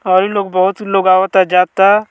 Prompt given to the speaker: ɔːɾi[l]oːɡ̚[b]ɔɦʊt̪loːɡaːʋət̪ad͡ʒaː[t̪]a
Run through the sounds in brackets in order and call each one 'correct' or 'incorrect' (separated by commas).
correct, correct, correct